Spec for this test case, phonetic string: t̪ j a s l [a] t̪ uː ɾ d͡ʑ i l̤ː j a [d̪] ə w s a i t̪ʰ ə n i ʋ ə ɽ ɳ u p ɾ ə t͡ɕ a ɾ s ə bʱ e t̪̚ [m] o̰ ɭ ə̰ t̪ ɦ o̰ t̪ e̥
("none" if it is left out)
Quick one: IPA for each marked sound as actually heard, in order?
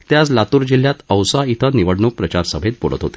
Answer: a, t̪, b

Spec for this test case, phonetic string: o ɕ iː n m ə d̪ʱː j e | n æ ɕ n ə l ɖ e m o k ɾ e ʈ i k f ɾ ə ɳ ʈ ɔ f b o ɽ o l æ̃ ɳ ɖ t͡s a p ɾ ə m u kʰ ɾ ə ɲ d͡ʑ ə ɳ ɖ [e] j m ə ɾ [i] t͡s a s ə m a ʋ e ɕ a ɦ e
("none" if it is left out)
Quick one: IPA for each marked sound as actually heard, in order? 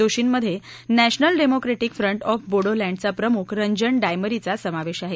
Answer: a, i

